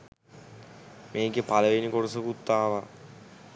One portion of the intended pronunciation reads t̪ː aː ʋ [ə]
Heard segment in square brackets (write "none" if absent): a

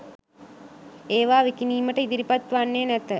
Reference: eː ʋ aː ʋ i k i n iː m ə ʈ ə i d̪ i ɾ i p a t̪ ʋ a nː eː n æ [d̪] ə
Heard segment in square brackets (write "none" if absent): t̪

